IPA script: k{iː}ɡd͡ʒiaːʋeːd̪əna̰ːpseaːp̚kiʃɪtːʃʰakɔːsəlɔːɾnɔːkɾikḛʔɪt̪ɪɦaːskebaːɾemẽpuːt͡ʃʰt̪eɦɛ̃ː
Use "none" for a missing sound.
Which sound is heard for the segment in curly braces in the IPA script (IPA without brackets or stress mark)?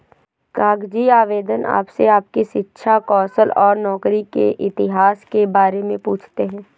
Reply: aː